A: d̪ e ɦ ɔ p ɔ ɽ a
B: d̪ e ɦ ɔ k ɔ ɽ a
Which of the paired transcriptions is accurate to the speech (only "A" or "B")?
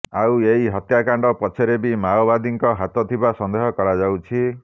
B